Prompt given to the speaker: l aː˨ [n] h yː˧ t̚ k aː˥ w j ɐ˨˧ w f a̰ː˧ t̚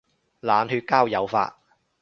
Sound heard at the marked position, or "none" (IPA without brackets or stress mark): n